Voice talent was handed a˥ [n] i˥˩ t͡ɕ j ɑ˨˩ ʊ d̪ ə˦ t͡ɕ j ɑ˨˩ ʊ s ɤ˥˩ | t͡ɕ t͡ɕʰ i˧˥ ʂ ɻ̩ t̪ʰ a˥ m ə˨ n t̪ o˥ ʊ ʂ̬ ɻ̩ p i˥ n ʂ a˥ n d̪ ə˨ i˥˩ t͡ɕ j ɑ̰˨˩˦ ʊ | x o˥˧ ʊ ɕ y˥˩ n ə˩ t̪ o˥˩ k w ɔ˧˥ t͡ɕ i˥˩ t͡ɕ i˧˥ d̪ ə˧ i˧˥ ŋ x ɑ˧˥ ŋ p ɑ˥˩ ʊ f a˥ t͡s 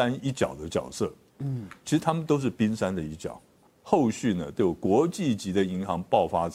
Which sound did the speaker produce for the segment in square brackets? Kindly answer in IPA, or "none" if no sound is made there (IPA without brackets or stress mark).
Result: n